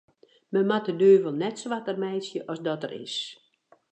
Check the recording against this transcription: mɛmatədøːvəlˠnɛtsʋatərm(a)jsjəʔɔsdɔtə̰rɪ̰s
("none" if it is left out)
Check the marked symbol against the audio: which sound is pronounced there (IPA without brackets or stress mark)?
ɛ